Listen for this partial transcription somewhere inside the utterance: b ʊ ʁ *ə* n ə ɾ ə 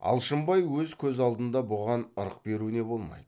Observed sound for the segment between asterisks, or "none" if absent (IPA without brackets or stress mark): ɑ